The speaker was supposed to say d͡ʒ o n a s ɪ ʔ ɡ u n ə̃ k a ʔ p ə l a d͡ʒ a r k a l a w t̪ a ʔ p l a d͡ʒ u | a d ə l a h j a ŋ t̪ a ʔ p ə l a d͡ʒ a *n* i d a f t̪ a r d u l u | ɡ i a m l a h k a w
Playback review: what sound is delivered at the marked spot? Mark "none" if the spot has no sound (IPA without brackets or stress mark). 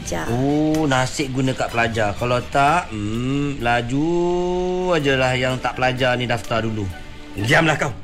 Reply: n